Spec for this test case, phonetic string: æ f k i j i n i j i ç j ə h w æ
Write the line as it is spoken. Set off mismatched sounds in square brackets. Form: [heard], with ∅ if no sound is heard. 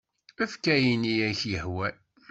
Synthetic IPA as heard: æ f k [æ] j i n i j [æ] ç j ə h w æ